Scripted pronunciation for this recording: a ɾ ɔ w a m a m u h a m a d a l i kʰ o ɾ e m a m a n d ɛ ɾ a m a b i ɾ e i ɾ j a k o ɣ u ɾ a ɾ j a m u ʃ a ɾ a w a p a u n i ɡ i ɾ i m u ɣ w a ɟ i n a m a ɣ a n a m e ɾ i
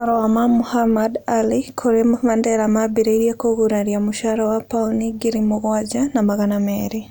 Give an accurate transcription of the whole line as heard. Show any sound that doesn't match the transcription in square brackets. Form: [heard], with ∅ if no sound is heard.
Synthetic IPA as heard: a ɾ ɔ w a m a m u h a m a d a l i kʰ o ɾ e m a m a n d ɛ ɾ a m a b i ɾ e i ɾ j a k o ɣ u ɾ a ɾ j a m u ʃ a ɾ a w a p a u n i ɡ i ɾ i m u ɣ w a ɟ [a] n a m a ɣ a n a m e ɾ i